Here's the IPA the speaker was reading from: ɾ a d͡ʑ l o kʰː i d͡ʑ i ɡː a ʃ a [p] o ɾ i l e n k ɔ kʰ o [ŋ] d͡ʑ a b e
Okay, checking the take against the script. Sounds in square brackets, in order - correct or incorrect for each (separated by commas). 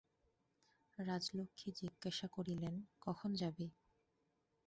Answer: incorrect, incorrect